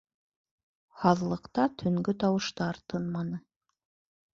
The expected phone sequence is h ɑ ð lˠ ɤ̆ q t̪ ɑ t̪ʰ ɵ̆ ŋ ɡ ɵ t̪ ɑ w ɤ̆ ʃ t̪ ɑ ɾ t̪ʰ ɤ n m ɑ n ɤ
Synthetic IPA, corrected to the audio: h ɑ ð lˠ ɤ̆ q t̪ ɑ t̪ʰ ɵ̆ ŋ ɡ ɵ t̪ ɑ w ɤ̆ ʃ t̪ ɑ ɾ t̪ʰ ɤ n m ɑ n ɤ